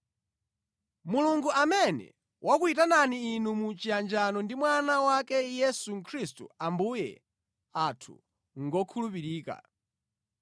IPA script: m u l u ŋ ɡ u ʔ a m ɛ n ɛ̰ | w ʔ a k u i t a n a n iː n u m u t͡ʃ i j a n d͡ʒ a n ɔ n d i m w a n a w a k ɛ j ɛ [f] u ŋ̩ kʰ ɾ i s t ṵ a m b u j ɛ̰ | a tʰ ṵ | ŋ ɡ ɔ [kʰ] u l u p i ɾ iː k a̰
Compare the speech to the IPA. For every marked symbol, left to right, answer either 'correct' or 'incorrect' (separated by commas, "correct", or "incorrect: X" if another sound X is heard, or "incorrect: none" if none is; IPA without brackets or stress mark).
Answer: incorrect: s, correct